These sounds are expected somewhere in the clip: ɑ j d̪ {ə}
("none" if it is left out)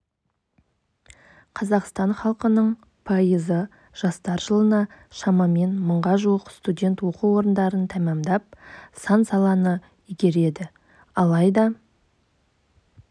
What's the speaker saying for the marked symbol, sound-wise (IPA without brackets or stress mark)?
ɑ